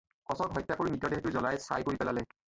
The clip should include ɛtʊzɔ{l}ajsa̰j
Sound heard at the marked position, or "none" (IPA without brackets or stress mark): l